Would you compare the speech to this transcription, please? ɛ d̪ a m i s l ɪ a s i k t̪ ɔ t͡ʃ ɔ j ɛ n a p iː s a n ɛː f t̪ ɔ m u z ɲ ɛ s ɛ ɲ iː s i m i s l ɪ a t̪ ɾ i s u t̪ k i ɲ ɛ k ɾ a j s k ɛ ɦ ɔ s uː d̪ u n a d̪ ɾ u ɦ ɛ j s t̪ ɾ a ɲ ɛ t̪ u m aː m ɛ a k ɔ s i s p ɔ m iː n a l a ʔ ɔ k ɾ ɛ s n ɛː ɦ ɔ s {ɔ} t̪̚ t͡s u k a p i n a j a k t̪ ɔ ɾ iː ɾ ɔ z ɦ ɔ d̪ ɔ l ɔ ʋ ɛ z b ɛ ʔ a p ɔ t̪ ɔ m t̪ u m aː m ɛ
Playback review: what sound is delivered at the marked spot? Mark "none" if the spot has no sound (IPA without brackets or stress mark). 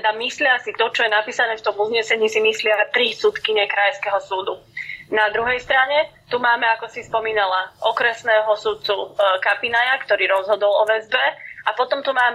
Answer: u